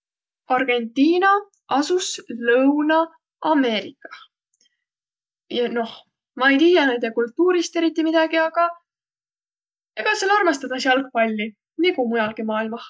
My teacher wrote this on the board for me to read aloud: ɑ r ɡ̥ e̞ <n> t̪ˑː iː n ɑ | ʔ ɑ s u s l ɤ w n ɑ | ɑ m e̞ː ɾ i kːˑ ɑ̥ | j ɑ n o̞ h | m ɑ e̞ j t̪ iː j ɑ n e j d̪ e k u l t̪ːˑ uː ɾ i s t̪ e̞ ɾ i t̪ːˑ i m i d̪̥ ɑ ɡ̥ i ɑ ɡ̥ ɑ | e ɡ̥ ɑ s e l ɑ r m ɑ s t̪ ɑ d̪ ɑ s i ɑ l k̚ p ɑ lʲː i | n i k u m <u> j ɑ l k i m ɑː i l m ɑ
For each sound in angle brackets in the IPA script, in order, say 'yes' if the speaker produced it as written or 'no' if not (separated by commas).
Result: yes, yes